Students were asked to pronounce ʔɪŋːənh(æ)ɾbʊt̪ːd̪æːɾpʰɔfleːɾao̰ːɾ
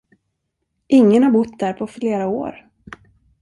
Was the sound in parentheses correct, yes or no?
no